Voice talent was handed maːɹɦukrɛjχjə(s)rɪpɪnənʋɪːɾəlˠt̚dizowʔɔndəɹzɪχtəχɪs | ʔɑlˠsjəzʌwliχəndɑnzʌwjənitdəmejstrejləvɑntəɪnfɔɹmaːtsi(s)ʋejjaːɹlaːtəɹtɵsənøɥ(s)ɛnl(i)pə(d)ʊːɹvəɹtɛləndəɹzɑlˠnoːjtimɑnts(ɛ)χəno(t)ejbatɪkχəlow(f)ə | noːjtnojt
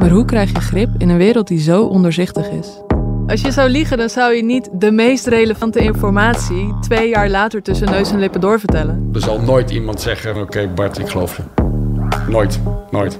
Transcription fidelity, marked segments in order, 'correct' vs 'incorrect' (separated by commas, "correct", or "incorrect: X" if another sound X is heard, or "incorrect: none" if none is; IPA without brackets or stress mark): incorrect: χ, incorrect: t, correct, incorrect: ɪ, correct, correct, incorrect: k, correct